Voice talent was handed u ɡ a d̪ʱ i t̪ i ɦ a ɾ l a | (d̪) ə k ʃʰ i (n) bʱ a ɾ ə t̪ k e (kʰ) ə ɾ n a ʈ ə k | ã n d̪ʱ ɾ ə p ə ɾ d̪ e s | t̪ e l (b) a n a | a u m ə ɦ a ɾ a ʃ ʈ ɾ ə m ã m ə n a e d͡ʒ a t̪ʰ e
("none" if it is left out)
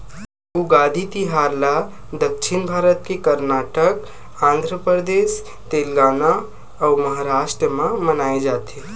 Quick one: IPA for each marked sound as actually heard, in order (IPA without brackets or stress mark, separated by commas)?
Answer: d̪, n, k, ɡ